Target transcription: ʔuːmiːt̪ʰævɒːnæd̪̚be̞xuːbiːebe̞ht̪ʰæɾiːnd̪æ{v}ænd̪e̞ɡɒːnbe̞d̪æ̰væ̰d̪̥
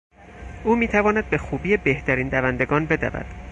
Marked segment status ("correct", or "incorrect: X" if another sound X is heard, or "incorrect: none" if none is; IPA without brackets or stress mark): correct